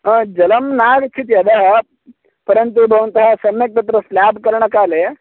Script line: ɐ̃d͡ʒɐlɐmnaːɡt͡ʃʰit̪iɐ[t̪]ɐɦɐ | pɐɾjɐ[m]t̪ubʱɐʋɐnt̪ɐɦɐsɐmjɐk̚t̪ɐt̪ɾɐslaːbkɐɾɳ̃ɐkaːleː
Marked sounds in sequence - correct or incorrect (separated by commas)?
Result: incorrect, incorrect